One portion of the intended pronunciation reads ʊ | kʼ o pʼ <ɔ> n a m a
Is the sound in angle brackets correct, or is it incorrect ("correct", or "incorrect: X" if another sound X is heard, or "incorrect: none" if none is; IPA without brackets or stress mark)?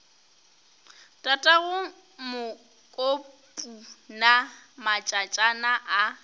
incorrect: u